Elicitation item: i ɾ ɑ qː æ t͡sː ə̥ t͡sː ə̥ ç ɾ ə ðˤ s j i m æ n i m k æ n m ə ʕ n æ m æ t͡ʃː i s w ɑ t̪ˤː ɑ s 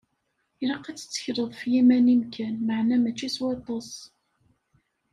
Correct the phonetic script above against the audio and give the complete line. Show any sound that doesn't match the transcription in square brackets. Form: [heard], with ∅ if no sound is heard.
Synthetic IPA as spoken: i ɾ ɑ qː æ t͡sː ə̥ t͡sː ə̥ ç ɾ ə ðˤ [f] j i m æ n i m k æ n m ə ʕ n æ m æ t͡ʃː i s w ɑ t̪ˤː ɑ s